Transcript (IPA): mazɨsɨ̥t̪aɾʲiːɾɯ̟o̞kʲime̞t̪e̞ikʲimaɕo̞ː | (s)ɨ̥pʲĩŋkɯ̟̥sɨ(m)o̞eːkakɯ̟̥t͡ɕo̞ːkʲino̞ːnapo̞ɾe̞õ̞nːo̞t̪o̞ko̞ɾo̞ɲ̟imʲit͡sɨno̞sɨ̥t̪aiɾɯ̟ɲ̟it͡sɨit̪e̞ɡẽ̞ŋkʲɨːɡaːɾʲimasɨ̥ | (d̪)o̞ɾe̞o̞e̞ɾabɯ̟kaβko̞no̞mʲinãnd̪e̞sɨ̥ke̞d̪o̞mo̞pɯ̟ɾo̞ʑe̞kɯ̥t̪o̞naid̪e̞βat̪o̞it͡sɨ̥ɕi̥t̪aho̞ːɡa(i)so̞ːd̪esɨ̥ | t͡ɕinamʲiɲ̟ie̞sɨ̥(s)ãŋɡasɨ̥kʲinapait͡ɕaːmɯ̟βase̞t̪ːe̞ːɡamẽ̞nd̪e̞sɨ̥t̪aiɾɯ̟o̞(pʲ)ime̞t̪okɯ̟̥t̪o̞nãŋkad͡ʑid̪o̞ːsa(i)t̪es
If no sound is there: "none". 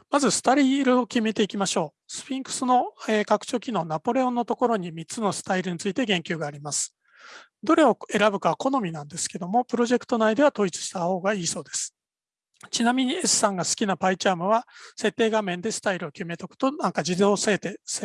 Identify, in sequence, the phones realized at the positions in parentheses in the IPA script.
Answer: s, n, d̪, iː, s, kʲ, e

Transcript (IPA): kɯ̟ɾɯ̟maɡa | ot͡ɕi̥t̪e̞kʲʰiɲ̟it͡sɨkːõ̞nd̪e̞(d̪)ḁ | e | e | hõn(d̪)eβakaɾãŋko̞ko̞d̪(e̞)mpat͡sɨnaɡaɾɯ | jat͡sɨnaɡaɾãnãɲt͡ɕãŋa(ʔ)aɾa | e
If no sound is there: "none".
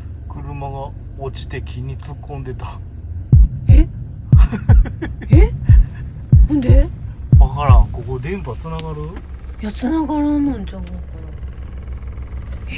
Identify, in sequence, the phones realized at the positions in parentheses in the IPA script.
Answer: t̪, d̪, ẽ̞, k

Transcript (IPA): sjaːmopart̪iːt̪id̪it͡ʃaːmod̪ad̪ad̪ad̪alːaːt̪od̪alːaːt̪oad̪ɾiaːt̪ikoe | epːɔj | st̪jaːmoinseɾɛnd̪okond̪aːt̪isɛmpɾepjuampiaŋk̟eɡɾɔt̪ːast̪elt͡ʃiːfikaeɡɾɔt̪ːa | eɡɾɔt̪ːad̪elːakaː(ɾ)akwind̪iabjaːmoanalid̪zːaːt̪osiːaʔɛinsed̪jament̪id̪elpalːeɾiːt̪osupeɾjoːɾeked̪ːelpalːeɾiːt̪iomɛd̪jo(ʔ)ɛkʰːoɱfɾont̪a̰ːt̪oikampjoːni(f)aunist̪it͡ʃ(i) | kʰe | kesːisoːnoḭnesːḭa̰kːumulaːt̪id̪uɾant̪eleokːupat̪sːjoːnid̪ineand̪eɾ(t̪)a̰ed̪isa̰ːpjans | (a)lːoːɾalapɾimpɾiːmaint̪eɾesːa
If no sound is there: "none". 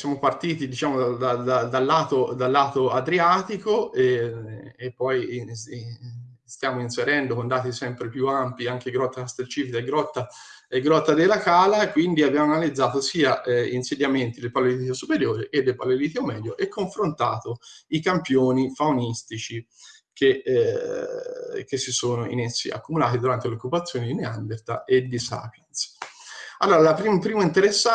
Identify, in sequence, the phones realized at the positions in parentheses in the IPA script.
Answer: l, ʔ, f, i, t̪, a

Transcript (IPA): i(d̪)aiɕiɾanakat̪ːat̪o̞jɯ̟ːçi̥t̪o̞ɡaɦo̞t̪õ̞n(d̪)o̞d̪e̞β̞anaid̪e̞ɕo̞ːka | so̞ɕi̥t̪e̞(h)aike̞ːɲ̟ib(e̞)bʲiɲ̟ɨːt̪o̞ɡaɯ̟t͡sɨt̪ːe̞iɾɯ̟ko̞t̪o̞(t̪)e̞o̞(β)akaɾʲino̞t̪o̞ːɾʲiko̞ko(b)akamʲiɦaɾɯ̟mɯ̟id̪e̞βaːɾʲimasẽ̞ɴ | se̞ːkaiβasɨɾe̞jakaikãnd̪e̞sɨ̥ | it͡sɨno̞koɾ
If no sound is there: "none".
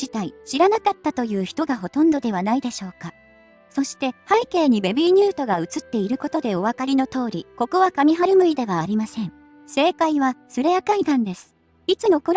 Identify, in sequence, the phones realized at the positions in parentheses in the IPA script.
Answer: t̪, d̪, h, e̞, d̪, β, β

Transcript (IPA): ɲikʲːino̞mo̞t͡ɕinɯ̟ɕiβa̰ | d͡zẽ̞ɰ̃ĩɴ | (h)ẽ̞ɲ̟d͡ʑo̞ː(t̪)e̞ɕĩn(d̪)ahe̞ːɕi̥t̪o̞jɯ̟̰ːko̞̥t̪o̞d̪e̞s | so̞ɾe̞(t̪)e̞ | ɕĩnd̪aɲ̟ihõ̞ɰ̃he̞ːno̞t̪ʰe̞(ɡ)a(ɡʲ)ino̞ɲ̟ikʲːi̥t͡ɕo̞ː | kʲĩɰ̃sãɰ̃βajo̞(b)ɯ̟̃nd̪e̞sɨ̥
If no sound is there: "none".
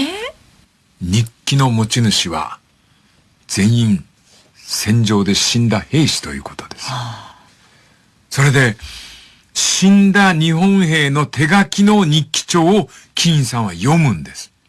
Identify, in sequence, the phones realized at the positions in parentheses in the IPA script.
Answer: s, d̪, d̪, d̪, ɡ, kʲ, m

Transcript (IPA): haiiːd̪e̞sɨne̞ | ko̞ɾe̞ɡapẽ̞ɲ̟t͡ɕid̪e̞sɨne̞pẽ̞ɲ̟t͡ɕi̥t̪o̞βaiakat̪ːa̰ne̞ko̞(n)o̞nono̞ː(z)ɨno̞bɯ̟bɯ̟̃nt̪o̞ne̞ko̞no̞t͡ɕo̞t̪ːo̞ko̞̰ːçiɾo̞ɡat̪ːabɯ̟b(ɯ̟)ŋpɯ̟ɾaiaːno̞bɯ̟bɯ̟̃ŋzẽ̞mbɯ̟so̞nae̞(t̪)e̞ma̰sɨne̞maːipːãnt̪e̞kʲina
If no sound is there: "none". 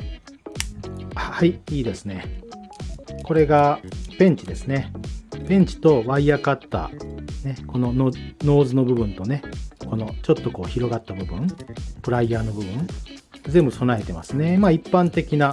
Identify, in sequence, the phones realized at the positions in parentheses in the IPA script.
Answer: n, z, ɯ̟̃, t̪

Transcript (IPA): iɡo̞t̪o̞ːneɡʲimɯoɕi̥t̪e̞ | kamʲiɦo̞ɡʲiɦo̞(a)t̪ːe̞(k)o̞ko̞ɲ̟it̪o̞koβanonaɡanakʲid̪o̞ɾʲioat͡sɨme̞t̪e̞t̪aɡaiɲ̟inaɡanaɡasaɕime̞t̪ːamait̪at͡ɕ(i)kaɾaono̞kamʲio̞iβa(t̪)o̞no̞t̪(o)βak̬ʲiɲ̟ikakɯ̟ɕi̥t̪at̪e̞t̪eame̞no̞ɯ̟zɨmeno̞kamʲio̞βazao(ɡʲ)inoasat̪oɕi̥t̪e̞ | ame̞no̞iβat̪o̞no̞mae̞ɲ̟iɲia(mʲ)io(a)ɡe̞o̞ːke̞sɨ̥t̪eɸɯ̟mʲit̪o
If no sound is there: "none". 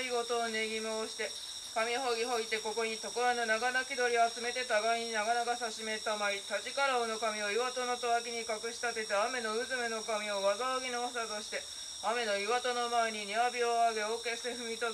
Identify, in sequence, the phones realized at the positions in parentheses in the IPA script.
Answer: i, k, i, t̪, o, ɡʲ, bʲ, a

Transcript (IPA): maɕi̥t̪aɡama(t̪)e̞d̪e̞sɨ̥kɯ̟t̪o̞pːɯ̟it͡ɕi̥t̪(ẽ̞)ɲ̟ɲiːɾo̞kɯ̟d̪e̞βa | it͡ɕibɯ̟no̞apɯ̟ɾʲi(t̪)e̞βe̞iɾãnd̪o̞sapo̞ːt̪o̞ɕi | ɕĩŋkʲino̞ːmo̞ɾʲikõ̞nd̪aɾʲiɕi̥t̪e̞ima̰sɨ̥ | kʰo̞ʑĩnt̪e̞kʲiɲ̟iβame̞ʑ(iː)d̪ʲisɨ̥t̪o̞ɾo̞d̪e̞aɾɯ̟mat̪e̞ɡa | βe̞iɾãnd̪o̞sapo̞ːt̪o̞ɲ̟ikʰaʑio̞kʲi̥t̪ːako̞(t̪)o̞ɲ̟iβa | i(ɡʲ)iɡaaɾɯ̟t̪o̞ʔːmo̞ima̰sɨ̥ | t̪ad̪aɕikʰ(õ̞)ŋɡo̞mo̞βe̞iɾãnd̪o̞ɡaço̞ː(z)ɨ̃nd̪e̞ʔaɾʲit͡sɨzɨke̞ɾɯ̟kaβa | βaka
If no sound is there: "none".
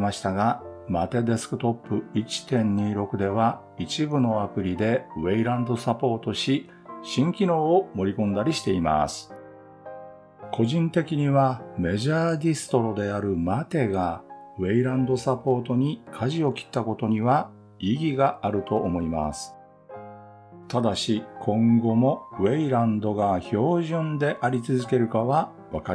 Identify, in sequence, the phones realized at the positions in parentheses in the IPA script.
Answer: t̪, ẽ̞, d̪, aː, t̪, ɡʲ, õ̞, ʑ

